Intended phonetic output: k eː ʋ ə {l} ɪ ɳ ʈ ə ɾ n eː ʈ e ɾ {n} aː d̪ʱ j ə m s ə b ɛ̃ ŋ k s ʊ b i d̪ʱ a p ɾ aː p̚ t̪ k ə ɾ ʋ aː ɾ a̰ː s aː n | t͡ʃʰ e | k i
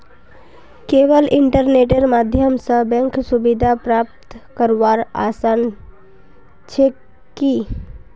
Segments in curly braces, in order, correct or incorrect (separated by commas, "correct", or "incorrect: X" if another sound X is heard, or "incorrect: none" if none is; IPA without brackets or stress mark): correct, incorrect: m